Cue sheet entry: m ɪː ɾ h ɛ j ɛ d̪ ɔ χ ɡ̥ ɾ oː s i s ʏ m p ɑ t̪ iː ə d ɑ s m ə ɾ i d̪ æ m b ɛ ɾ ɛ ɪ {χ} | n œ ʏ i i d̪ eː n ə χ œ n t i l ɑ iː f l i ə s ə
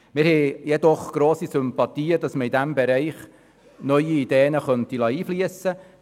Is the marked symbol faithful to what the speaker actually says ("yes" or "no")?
yes